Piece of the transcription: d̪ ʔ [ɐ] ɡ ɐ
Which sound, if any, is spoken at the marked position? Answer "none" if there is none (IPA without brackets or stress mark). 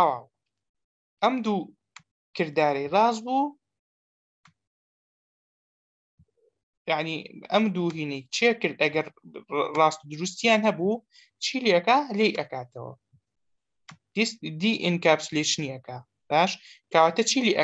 ɐ